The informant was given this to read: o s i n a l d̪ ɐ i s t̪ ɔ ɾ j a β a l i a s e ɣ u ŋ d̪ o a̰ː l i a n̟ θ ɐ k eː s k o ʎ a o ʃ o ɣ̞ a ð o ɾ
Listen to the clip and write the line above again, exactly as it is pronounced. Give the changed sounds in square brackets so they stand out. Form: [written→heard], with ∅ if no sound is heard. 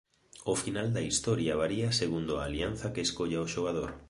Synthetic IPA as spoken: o [s→f] i n a l d̪ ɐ i s t̪ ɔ ɾ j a β a [l→ɾ] i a s e ɣ u [ŋ→n] d̪ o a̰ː l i a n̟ θ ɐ k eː s k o ʎ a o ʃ o ɣ̞ a ð o ɾ